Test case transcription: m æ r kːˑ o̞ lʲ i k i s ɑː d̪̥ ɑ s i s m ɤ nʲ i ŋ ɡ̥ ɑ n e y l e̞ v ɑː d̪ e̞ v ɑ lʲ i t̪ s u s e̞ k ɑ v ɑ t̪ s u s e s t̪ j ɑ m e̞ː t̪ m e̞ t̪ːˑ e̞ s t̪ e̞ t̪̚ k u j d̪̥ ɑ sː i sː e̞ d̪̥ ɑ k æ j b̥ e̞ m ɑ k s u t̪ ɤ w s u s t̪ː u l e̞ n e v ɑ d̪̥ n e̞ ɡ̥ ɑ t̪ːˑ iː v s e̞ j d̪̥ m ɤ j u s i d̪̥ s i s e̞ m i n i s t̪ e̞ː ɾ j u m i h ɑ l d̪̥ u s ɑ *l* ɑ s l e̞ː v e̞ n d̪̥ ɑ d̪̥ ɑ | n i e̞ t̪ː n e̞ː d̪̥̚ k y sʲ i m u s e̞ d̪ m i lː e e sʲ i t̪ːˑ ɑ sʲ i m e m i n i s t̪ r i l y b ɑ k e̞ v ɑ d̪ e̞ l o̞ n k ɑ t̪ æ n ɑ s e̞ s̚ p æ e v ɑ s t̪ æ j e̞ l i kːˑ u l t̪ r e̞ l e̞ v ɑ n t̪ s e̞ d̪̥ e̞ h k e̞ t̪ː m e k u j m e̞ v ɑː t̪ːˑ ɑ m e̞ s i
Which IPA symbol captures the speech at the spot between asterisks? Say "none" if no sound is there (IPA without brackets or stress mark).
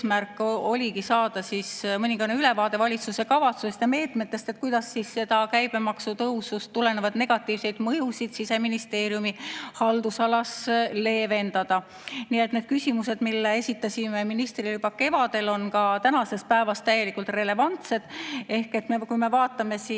l